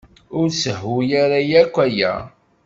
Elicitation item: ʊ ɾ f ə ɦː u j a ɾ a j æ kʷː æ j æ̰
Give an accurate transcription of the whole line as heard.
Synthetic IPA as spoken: ʊ ɾ s ə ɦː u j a ɾ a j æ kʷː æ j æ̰